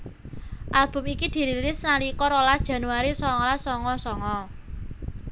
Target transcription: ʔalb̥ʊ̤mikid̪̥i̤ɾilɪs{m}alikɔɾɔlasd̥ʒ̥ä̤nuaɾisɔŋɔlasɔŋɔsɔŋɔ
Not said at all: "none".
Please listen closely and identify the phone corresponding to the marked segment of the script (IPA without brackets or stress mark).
n